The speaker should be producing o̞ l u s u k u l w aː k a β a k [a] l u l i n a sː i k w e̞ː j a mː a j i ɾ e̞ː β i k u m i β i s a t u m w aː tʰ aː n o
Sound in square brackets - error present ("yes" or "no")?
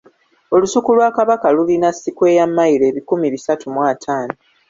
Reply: no